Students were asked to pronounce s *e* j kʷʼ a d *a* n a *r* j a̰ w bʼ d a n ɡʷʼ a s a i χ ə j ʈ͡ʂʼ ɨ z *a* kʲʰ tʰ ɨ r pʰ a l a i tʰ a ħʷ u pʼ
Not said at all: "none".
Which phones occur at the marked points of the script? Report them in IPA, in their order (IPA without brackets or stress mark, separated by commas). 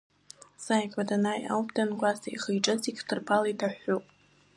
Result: a, a, none, i